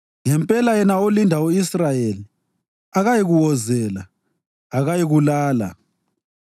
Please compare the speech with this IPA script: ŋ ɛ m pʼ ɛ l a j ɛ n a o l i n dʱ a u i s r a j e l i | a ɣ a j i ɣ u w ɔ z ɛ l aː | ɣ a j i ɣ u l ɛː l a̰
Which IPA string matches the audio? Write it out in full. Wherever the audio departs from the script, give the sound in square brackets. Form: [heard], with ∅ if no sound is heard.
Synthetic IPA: ŋ ɛ m pʼ ɛ l a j ɛ n a o l i n dʱ a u i s r a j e l i | a ɣ a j i ɣ u w ɔ z ɛ l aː | ɣ a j i ɣ u l [aː] l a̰